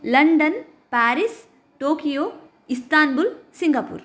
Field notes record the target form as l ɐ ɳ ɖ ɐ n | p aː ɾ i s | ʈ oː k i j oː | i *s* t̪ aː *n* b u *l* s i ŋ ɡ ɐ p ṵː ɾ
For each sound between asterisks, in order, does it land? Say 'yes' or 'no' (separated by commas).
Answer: yes, yes, yes